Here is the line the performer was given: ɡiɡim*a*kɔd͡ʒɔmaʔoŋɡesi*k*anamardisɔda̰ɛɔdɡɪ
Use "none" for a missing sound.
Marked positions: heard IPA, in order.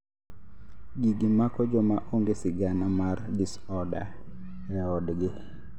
a, ɡ

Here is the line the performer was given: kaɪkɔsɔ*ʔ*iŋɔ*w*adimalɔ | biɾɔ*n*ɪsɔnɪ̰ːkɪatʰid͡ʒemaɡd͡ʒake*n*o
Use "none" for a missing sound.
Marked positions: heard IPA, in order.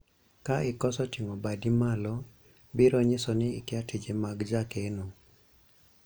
t, b, ɲ, n

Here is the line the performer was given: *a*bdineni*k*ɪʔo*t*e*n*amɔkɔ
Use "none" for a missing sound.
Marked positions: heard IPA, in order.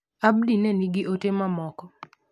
a, ɡ, t, m

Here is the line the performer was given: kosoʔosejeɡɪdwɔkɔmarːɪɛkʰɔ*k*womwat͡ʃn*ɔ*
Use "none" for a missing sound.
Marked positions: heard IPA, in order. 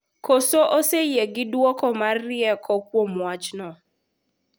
k, ɔ

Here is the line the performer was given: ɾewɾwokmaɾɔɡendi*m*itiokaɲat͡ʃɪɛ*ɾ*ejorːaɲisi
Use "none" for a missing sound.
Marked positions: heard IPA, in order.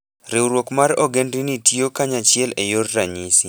n, l

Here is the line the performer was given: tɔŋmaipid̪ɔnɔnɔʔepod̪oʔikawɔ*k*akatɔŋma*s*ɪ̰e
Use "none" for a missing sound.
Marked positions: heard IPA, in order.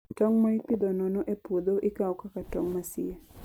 k, s

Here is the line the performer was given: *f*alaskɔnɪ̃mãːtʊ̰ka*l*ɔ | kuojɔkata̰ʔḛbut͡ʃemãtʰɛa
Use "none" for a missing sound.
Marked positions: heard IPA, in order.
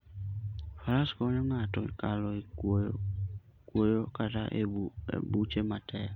f, l

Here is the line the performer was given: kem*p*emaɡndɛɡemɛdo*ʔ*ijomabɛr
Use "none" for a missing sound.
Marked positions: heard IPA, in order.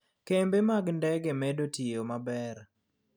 b, t

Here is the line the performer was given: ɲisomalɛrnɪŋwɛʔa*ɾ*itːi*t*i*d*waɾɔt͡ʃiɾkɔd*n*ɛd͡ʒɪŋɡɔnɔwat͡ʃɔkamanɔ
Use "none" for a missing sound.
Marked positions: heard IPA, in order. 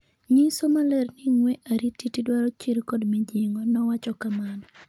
ɾ, t, d, m

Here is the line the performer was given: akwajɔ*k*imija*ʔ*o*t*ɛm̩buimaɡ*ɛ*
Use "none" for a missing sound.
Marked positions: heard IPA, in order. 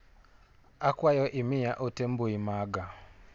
ʔ, ʔ, t, a

